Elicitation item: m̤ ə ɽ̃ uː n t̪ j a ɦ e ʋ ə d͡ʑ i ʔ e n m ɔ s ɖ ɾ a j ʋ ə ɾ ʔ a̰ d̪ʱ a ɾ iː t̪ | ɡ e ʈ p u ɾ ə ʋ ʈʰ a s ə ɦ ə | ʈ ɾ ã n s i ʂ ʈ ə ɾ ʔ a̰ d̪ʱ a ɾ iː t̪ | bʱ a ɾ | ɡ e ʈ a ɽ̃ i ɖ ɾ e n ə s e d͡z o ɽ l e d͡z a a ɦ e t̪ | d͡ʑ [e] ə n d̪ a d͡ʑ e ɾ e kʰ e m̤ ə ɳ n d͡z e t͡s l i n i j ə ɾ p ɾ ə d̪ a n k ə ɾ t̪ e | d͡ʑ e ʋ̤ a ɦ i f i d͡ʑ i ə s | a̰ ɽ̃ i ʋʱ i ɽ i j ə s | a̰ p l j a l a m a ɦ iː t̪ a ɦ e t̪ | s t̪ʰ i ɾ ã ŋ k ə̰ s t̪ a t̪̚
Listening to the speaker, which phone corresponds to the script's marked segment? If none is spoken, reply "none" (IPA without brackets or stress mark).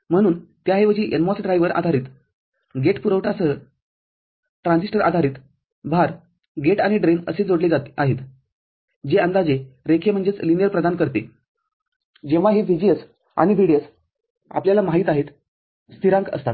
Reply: e